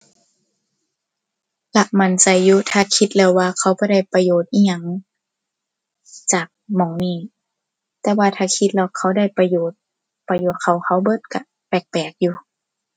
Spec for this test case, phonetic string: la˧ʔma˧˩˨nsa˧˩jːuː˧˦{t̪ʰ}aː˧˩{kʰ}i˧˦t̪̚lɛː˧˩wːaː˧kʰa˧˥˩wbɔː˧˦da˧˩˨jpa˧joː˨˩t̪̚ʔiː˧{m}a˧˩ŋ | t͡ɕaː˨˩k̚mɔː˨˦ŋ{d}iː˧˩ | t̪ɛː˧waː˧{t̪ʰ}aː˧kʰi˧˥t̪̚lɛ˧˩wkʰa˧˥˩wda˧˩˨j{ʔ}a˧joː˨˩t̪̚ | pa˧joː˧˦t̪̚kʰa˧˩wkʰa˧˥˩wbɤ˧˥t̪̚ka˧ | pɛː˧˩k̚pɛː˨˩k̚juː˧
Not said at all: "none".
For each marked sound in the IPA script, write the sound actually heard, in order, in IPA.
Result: t̪ʰ, kʰ, ɲ, n, t̪ʰ, p

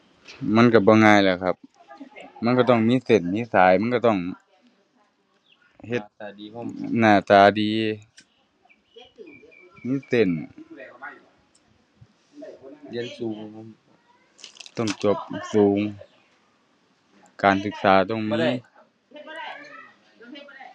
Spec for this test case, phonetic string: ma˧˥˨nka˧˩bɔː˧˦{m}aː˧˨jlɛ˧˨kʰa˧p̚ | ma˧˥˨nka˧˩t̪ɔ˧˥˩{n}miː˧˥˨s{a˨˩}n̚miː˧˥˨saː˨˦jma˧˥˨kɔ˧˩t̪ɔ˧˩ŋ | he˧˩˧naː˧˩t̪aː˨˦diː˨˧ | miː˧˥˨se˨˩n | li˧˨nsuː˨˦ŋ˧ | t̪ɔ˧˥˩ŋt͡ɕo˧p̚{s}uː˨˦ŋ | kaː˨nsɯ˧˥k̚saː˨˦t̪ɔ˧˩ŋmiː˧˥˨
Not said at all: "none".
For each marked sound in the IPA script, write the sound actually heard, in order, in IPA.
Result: ŋ, ŋ, e˨˩, s

